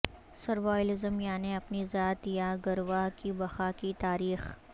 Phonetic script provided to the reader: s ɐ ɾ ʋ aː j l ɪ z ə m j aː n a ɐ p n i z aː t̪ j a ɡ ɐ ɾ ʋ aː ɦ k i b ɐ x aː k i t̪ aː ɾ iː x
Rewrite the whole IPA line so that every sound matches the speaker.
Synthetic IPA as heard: s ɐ ɾ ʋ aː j l ɪ z ə m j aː n e ɐ p n i z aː t̪ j a ɡ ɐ ɾ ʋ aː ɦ k i b ɐ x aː k i t̪ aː ɾ iː x